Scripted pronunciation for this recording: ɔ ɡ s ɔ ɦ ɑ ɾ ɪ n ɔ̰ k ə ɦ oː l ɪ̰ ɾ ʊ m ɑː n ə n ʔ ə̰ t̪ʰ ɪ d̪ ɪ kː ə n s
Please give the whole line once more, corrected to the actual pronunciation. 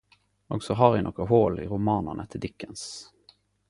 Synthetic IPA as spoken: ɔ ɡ s ɔ ɦ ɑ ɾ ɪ n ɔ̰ k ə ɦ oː l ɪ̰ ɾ ʊ m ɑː n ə n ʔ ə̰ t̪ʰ ɪ d̪ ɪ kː ə n s